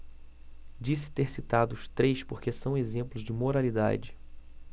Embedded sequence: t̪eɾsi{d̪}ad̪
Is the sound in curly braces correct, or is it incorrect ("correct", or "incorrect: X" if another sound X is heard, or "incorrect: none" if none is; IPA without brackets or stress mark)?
incorrect: t̪